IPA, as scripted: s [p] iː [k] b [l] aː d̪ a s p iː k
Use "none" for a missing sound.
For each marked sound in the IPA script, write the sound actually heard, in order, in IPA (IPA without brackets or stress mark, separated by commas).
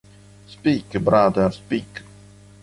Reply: p, k, ɾ